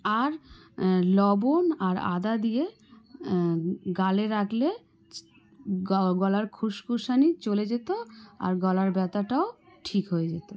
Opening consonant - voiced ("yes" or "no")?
yes